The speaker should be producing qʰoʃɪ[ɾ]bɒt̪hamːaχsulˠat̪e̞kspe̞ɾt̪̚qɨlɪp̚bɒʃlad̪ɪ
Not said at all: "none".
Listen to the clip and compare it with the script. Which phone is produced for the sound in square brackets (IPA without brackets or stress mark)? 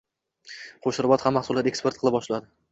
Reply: ɾ